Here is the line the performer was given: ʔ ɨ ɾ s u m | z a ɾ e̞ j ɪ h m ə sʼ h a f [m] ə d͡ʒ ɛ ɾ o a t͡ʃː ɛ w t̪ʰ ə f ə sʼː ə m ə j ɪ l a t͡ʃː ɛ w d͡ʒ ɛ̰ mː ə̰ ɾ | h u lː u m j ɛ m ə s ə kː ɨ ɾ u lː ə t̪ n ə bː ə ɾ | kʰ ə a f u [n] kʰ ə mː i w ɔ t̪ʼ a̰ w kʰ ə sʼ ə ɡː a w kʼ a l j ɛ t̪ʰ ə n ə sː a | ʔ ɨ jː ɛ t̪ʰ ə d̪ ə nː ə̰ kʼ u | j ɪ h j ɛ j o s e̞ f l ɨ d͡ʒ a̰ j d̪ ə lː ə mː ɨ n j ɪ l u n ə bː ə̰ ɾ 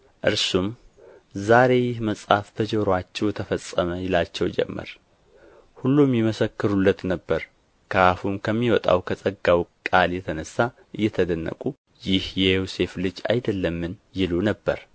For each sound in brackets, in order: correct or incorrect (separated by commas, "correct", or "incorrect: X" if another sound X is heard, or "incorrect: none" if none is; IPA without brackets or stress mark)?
incorrect: b, incorrect: m